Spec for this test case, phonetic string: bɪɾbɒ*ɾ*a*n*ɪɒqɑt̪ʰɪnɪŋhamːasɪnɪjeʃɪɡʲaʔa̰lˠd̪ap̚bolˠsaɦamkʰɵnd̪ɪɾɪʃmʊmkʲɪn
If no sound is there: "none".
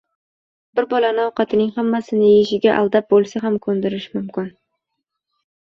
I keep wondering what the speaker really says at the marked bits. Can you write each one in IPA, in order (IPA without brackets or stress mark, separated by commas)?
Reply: l, n